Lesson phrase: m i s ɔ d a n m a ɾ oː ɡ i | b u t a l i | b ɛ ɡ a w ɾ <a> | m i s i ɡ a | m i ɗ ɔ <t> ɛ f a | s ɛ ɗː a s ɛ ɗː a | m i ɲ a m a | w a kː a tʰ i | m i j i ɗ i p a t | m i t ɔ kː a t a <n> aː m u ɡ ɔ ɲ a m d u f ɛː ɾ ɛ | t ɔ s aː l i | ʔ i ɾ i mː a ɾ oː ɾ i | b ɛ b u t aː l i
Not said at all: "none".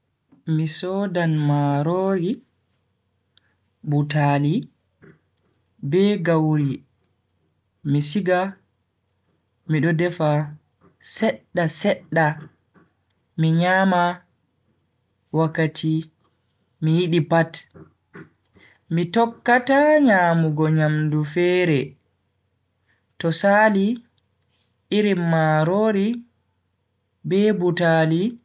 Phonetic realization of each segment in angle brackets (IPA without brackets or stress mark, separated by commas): i, d, ɲ